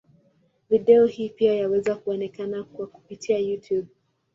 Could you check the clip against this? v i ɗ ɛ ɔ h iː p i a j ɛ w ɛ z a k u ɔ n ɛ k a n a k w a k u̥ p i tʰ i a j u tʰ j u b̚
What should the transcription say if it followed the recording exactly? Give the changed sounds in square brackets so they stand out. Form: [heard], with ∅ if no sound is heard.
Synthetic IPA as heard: v i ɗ ɛ ɔ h iː p i a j [a] w ɛ z a k u ɔ n ɛ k a n a k w a k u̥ p i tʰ i a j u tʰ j u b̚